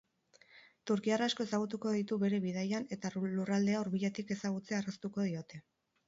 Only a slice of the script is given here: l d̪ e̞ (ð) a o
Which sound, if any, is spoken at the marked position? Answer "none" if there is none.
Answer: none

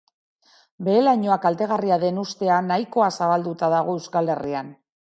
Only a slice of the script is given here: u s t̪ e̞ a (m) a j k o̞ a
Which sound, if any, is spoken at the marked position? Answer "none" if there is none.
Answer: n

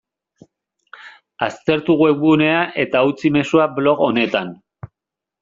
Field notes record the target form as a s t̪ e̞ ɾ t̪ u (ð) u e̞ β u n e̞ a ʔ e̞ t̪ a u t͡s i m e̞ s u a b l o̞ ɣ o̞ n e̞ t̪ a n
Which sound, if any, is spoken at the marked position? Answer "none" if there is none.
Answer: ɣ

